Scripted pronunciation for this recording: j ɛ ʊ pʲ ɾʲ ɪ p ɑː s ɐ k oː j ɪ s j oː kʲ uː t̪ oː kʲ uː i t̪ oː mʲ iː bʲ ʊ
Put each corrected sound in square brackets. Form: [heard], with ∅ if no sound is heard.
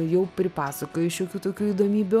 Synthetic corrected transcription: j ɛ ʊ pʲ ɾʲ ɪ p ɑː s ɐ k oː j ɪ [ʃ] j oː kʲ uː t̪ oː kʲ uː i [d̪] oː mʲ iː bʲ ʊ